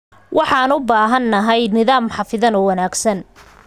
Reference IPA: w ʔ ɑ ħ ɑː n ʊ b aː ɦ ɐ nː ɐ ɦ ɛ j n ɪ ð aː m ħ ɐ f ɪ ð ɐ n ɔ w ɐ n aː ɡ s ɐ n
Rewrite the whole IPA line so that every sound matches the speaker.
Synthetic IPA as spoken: w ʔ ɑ ħ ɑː n ʊ b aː ɦ ɐ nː ɐ ɦ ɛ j n ɪ ð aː m ħ ɑ f ɪ ð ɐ n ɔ w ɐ n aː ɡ s ɐ n